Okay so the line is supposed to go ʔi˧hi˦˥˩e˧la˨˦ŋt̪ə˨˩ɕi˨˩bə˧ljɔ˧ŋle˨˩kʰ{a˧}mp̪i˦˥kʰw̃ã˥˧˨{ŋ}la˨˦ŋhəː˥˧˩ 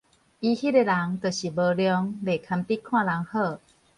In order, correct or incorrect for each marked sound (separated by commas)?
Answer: correct, incorrect